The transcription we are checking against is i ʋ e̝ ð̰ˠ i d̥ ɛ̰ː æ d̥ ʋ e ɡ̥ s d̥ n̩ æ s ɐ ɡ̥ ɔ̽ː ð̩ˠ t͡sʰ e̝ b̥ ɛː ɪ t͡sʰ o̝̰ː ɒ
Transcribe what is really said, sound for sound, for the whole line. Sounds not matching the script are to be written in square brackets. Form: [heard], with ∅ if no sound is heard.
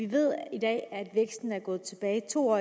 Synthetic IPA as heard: i ʋ e̝ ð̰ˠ i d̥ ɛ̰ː æ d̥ ʋ e ɡ̥ s d̥ n̩ æ [∅] ɐ ɡ̥ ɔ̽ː ð̩ˠ t͡sʰ e̝ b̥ ɛː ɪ t͡sʰ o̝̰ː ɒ